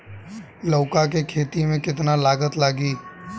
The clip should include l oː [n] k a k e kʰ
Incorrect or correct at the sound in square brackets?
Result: incorrect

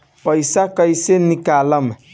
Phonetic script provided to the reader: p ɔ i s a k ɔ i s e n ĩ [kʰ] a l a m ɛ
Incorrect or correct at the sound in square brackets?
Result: incorrect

